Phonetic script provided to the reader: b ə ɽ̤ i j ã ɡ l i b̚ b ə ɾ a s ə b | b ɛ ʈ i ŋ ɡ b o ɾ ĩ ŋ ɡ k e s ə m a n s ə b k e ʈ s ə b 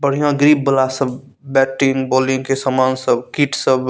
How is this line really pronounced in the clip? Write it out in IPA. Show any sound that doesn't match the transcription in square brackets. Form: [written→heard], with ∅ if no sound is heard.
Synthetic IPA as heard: b ə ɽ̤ i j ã ɡ [l→ɾ] i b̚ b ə [ɾ→l] a s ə b | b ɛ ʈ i ŋ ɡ b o [ɾ→l] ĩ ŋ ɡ k e s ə m a n s ə b k [e→i] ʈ s ə b